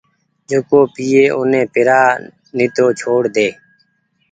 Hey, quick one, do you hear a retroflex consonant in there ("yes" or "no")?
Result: yes